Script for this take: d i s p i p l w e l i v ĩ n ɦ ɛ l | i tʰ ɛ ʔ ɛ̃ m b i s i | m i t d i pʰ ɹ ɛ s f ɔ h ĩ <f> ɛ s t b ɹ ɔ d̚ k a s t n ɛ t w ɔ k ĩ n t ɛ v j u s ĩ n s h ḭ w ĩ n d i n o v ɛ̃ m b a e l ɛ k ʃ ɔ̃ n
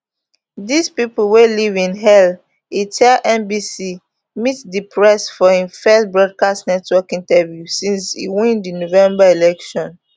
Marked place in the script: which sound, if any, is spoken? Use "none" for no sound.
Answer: f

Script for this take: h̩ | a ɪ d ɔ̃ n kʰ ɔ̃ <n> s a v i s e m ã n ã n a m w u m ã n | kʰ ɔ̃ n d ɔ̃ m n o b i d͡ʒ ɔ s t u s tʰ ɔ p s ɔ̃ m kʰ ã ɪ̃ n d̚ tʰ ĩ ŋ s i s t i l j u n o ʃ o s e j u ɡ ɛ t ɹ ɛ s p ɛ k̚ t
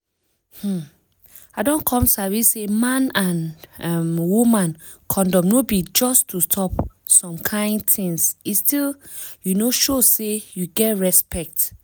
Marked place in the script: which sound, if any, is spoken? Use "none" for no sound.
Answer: m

